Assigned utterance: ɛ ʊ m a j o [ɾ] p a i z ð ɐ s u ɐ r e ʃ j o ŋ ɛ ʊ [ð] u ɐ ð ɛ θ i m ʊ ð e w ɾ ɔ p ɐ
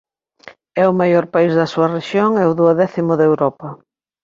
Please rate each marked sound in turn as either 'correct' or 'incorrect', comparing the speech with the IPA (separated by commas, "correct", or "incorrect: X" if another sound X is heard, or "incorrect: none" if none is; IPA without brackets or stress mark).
correct, correct